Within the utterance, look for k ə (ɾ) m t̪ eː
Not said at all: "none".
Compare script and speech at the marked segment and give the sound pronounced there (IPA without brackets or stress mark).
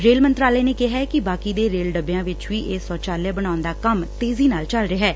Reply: none